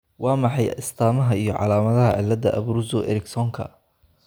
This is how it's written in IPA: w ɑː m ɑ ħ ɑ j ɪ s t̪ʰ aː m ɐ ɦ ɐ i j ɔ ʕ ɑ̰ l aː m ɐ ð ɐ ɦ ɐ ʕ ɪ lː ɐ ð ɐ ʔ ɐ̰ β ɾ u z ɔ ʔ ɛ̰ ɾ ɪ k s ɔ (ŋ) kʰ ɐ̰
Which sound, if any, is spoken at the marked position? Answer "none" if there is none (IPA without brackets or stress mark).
ŋ